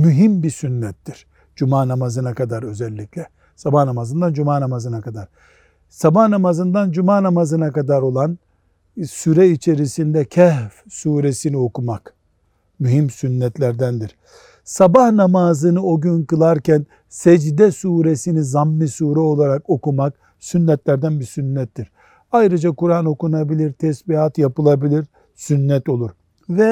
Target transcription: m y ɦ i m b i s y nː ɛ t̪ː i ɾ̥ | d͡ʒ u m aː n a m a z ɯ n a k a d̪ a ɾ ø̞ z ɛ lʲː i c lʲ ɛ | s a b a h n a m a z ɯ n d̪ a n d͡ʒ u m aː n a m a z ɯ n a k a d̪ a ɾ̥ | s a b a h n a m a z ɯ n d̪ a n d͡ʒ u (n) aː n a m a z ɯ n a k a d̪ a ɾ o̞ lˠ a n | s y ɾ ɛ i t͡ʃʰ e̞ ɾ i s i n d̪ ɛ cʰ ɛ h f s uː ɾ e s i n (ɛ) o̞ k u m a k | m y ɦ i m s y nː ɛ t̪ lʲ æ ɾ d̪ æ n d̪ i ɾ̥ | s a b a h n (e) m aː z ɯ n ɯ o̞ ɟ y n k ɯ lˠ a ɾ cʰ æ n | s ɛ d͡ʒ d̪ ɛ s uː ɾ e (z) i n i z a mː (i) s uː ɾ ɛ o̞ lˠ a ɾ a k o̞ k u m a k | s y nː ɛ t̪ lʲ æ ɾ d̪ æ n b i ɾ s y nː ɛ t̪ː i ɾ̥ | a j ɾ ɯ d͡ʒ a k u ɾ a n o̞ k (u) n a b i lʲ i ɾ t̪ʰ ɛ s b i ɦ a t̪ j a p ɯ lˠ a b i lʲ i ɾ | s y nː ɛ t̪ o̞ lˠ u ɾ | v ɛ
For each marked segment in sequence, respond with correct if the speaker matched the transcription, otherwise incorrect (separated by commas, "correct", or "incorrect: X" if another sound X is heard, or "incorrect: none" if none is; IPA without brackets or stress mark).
incorrect: m, incorrect: i, incorrect: a, incorrect: s, correct, correct